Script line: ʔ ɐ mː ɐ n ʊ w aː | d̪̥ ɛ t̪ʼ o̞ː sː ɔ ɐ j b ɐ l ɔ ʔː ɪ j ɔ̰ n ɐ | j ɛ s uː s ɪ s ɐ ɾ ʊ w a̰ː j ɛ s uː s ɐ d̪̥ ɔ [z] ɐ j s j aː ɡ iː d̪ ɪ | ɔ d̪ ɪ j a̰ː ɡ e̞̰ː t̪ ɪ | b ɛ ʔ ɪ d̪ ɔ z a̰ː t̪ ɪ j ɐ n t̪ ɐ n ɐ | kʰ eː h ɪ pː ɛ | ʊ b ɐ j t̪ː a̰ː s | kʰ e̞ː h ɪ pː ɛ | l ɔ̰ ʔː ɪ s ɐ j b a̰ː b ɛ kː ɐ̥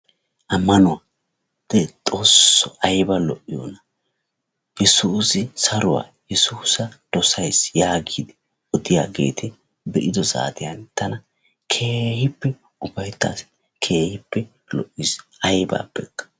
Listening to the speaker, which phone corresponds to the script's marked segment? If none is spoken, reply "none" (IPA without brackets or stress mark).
s